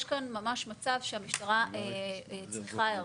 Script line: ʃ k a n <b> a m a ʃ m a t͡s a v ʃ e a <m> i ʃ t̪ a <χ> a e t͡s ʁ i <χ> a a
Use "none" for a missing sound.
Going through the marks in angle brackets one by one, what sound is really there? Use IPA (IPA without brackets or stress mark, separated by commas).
m, m, ʁ, χ